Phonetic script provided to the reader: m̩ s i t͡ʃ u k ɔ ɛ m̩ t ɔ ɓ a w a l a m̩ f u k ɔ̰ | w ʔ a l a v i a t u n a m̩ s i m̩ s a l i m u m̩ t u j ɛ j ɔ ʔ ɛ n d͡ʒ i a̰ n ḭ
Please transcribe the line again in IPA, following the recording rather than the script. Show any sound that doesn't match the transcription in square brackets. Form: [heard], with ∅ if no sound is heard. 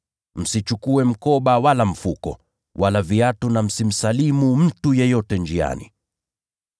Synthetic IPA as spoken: m̩ s i t͡ʃ u k [u] ɛ m̩ [k] ɔ ɓ a w a l a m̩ f u k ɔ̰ | w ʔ a l a v i a t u n a m̩ s i m̩ s a l i m u m̩ t u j ɛ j ɔ [t] ɛ n d͡ʒ i a̰ n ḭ

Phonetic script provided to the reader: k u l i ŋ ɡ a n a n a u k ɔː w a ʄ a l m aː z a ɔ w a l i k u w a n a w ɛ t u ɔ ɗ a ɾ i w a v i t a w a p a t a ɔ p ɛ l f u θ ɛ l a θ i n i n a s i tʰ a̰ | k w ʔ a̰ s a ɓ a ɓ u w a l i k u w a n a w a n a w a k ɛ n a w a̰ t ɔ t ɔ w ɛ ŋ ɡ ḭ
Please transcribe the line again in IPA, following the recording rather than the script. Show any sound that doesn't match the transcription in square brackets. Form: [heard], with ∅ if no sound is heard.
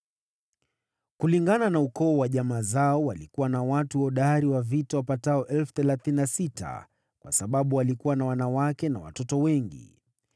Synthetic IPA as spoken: k u l i ŋ ɡ a n a n a u k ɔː w a ʄ a [∅] m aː z a ɔ w a l i k u w a n a w [a] t u ɔ ɗ a ɾ i w a v i t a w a p a t a ɔ [ʔ] ɛ l f u θ ɛ l a θ i n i n a s i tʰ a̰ | k w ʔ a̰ s a ɓ a ɓ u w a l i k u w a n a w a n a w a k ɛ n a w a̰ t ɔ t ɔ w ɛ ŋ ɡ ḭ

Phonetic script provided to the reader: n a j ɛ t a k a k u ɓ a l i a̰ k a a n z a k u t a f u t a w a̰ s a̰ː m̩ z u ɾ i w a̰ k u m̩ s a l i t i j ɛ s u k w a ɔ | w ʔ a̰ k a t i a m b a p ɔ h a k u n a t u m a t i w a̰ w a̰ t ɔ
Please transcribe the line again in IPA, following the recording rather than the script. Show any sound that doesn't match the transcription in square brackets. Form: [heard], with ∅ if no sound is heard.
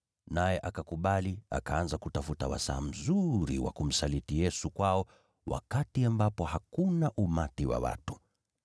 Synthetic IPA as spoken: n a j ɛ [ʔ] a k a k u ɓ a l i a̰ k a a n z a k u t a f u t a w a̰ s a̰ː m̩ z u ɾ i w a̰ k u m̩ s a l i t i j ɛ s u k w a ɔ | w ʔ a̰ k a t i a m b a p ɔ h a k u n a [ʔ] u m a t i w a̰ w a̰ t [u]

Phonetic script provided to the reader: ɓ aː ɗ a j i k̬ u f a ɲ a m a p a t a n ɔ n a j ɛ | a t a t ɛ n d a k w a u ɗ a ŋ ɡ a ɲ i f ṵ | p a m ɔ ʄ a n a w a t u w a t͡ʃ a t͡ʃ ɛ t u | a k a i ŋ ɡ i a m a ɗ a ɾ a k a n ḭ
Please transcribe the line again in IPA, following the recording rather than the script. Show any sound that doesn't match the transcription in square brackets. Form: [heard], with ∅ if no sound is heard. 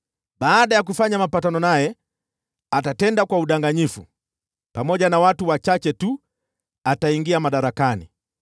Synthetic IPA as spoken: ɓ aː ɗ a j [a] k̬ u f a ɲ a m a p a t a n ɔ n a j ɛ | a t a t ɛ n d a k w a u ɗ a ŋ ɡ a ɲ i f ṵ | p a m ɔ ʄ a n a w a t u w a t͡ʃ a t͡ʃ ɛ t u | a [t] a i ŋ ɡ i a m a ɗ a ɾ a k a n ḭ

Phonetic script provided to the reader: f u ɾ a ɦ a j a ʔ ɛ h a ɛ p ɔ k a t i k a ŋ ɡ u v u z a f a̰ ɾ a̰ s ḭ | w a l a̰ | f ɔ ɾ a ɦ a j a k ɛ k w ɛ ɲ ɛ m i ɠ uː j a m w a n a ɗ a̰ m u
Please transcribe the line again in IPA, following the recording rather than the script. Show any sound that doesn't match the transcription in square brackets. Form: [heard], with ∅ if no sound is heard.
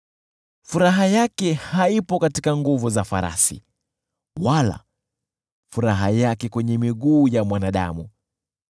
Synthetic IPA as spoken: f u ɾ a ɦ a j a [k] ɛ h a [i] p ɔ k a t i k a ŋ ɡ u v u z a f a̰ ɾ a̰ s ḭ | w a l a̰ | f [u] ɾ a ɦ a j a k ɛ k w ɛ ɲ ɛ m i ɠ uː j a m w a n a ɗ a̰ m u

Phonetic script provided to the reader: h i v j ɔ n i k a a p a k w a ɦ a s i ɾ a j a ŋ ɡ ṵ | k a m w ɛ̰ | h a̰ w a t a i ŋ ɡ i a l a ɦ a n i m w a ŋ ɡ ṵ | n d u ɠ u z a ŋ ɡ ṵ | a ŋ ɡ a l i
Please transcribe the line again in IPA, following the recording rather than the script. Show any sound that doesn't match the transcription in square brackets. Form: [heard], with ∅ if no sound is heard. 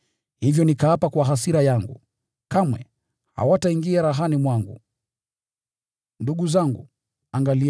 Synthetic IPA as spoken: h i v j ɔ n i k a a p a k w a ɦ a s i ɾ a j a ŋ ɡ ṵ | k a m w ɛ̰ | h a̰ w a t a i ŋ ɡ i a [ɾ] a ɦ a n i m w a ŋ ɡ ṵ | n d u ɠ u z a ŋ ɡ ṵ | a ŋ ɡ a l i

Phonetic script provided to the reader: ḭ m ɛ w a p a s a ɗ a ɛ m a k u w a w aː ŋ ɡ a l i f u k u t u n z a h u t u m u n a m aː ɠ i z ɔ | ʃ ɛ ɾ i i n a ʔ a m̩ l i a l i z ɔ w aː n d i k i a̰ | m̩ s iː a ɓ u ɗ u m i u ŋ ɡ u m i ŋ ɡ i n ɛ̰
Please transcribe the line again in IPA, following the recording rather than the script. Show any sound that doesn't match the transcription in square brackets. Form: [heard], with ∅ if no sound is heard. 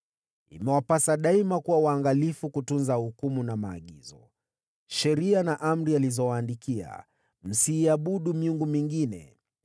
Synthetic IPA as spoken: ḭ m ɛ w a p a s a ɗ a [i] m a k u w a w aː ŋ ɡ a l i f u k u t u n z a h u [k] u m u n a m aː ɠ i z ɔ | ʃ ɛ ɾ i [a] n a ʔ a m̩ [ɾ] i a l i z ɔ w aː n d i k i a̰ | m̩ s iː a ɓ u ɗ u m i u ŋ ɡ u m i ŋ ɡ i n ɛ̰

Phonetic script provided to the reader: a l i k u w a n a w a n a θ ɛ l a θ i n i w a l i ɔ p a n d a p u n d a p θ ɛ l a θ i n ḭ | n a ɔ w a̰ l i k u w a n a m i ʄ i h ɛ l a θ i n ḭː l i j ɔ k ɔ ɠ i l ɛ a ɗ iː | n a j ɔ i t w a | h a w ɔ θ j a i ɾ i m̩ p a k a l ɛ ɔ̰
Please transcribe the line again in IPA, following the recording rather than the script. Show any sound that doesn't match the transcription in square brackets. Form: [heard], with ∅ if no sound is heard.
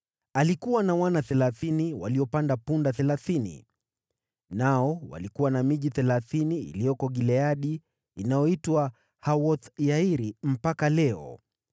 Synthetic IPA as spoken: a l i k u w a n a w a n a θ ɛ l a θ i n i w a l i ɔ p a n d a p u n d a [∅] θ ɛ l a θ i n ḭ | n a ɔ w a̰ l i k u w a n a m i ʄ i [θ] ɛ l a θ i n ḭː l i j ɔ k ɔ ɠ i l ɛ a ɗ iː | n a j ɔ i t w a | h a w ɔ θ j a i ɾ i m̩ p a k a l ɛ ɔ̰

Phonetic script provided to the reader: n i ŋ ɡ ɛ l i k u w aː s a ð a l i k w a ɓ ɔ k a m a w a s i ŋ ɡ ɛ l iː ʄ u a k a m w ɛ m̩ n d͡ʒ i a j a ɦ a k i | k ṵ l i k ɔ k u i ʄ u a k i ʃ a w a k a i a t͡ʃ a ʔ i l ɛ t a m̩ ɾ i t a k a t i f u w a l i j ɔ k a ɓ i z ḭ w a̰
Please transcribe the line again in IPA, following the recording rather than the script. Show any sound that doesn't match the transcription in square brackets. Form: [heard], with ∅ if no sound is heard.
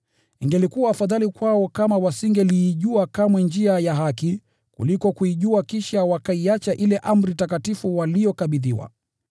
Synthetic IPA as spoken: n i ŋ ɡ ɛ l i k u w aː [f] a ð a l i k w a [∅] ɔ k a m a w a s i ŋ ɡ ɛ l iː ʄ u a k a m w ɛ [∅] n d͡ʒ i a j a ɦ a k i | k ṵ l i k ɔ k u i ʄ u a k i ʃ a w a k a i a t͡ʃ a ʔ i l ɛ [ʔ] a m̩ ɾ i t a k a t i f u w a l i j ɔ k a ɓ i [ð] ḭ w a̰

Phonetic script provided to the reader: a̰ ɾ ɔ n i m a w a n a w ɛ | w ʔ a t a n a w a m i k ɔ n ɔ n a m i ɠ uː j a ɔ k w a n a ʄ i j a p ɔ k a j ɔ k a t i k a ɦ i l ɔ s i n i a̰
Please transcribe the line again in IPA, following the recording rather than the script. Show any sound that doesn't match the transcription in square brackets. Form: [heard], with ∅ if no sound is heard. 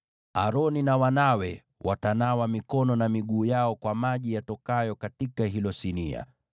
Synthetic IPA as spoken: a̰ ɾ ɔ n i [n] a w a n a w ɛ | w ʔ a t a n a w a m i k ɔ n ɔ n a m i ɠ uː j a ɔ k w a [m] a ʄ i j a [t] ɔ k a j ɔ k a t i k a ɦ i l ɔ s i n i a̰

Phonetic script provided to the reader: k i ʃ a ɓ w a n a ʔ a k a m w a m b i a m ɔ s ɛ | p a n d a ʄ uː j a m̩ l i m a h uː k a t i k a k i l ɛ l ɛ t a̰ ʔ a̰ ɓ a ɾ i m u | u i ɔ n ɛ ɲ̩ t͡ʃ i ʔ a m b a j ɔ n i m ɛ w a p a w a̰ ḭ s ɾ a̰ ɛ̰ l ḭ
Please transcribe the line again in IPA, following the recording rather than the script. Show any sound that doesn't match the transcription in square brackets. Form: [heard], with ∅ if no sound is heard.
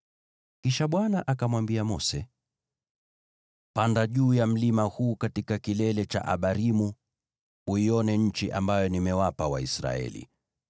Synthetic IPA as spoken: k i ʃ a ɓ w a n a ʔ a k a m w a m b i a m ɔ s ɛ | p a n d a ʄ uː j a m̩ l i m a h uː k a t i k a k i l ɛ l ɛ [t͡ʃ] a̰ ʔ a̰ ɓ a ɾ i m u | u i ɔ n ɛ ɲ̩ t͡ʃ i ʔ a m b a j ɔ n i m ɛ w a p a w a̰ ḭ s ɾ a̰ ɛ̰ l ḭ

